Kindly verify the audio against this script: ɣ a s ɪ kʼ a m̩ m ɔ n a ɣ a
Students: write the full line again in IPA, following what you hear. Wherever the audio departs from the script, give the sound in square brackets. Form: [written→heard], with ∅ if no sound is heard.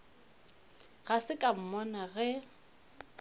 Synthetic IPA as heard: ɣ a s ɪ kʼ a m̩ m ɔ n a ɣ [a→ɛ]